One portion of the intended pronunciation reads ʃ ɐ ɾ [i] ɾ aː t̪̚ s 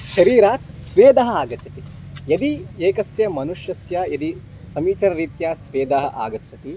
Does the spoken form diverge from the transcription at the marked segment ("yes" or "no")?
yes